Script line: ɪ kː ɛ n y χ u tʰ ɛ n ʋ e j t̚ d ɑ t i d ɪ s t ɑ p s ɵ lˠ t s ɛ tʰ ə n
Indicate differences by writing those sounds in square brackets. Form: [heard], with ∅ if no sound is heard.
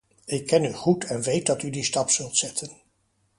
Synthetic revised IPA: ɪ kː ɛ n y χ u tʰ ɛ n ʋ e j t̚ d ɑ t [y] d [i] s t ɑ p s ɵ lˠ t s ɛ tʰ ə n

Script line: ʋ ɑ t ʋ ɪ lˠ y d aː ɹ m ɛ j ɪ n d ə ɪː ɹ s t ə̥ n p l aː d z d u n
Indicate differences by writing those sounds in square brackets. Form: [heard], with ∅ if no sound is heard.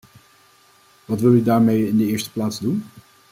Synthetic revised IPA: ʋ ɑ t ʋ ɪ lˠ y d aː ɹ m [e] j ɪ n d ə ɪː ɹ s t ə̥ [∅] p l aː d z d u n

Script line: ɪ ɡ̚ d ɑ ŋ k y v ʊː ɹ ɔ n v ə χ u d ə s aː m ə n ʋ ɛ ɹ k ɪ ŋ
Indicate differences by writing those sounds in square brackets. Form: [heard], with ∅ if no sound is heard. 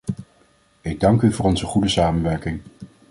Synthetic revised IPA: ɪ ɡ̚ d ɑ ŋ k y v ʊː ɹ ɔ n [z] ə χ u d ə s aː m ə n ʋ ɛ ɹ k ɪ ŋ

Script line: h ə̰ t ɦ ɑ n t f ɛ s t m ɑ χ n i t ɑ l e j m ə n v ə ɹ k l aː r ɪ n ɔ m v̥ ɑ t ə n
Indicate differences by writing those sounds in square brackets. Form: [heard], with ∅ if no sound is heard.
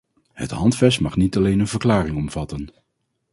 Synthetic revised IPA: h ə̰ t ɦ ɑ n t f ɛ s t m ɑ χ n i t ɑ l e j [n] ə n v ə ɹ k l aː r ɪ [ŋ] ɔ m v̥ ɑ t ə n

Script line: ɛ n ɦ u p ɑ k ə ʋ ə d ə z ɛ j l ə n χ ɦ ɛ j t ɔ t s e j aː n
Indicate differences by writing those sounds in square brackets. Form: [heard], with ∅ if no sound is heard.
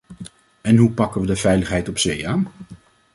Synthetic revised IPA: ɛ n ɦ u p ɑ k ə ʋ ə d ə [v] ɛ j l ə [∅] χ ɦ ɛ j t ɔ [p] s e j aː n

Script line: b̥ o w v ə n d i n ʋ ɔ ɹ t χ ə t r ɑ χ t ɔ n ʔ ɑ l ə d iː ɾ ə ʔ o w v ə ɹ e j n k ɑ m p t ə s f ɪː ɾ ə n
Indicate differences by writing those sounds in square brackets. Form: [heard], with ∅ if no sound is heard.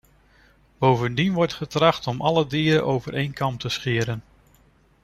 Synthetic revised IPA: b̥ o w v ə n d i n ʋ ɔ ɹ t χ ə t r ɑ χ t ɔ [m] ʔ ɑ l ə d iː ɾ ə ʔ o w v ə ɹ e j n k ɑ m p t ə s [χ] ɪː ɾ ə n

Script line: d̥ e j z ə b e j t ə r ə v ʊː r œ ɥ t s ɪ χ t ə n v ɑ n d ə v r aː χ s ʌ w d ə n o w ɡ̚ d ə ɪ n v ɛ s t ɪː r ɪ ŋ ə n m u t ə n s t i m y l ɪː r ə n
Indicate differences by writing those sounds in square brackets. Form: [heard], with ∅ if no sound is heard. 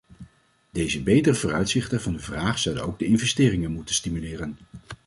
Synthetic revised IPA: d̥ e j z ə b e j t ə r ə v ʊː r œ ɥ t s ɪ χ t ə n v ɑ n d ə v r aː χ s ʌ w d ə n o w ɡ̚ d ə ɪ n v ɛ s t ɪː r ɪ ŋ ə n m u t ə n s t i m y l ɪː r ə n

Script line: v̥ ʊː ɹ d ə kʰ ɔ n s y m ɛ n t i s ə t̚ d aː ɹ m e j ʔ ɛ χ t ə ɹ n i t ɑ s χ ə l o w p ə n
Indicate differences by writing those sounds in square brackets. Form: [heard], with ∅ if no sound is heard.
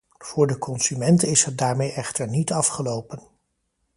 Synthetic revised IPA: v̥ ʊː ɹ d ə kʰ ɔ n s y m ɛ n t [ɪ] s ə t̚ d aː ɹ m e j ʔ ɛ χ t ə ɹ n i t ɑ [f] χ ə l o w p ə n

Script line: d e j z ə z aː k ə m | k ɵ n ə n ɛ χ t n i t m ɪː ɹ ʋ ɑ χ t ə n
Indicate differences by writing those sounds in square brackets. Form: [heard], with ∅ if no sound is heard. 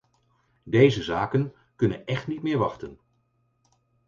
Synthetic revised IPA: d e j z ə z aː k ə [n] | k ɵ n ə n ɛ χ t n i t m ɪː ɹ ʋ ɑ χ t ə n

